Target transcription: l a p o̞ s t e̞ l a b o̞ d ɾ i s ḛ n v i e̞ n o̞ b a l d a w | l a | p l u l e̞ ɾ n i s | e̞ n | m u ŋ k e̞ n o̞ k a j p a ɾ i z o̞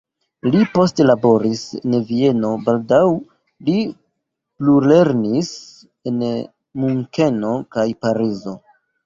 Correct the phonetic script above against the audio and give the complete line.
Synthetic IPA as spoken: l i p o̞ s t e̞ l a b o̞ ɾ i s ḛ n v i e̞ n o̞ b a l d a w | l i | p l u l e̞ ɾ n i s | e̞ n | m u ŋ k e̞ n o̞ k a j p a ɾ i z o̞